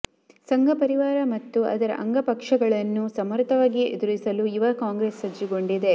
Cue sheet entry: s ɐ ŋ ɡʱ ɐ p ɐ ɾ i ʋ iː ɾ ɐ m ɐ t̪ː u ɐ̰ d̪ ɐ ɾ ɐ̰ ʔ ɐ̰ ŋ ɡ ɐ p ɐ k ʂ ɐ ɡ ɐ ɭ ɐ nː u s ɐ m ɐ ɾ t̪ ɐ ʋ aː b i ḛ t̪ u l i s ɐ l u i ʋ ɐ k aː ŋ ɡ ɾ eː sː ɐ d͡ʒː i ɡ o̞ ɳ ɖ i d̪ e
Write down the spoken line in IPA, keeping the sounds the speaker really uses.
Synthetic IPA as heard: s ɐ ŋ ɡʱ ɐ p ɐ ɾ i ʋ aː ɾ ɐ m ɐ t̪ː u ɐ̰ d̪ ɐ ɾ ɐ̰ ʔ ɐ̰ ŋ ɡ ɐ p ɐ k ʂ ɐ ɡ ɐ ɭ ɐ nː u s ɐ m ɐ ɾ t̪ ɐ ʋ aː ɡ i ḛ d̪ u ɾ i s ɐ l u i ʋ ɐ k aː ŋ ɡ ɾ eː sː ɐ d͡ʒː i ɡ o̞ ɳ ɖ i d̪ e